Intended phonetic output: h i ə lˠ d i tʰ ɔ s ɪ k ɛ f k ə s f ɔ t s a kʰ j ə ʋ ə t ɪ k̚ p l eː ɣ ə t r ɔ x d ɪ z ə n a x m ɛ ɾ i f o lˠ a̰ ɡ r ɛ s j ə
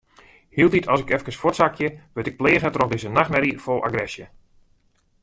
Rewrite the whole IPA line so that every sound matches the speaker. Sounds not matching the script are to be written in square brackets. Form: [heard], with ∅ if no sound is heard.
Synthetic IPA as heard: h i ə lˠ d i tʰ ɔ s ɪ k ɛ f k ə s f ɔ t s a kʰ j ə ʋ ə t ɪ k̚ p l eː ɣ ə t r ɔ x d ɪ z ə n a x m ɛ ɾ i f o lˠ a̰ ɡ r ɛ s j ə